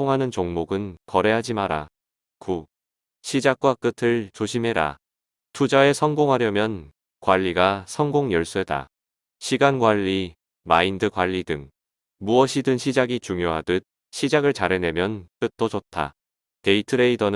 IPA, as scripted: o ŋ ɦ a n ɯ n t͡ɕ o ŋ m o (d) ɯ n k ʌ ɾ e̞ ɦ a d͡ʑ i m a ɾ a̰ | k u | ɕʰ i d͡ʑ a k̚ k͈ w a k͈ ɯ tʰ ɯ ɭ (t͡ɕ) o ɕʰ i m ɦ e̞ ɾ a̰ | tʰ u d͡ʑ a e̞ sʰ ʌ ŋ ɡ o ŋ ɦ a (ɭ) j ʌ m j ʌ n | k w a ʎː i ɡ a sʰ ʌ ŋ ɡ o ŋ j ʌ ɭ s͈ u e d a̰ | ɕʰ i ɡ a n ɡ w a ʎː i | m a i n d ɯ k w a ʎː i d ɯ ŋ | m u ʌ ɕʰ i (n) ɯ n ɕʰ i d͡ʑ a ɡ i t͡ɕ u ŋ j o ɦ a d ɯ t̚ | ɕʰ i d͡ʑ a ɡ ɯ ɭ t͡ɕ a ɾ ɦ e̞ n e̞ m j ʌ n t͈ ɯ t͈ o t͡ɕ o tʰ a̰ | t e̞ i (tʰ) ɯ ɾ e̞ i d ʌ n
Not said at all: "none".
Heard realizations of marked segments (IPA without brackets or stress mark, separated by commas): ɡ, t͡ɕ, ɾ, d, tʰ